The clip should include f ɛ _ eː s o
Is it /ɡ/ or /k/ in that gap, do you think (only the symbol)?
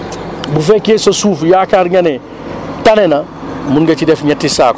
k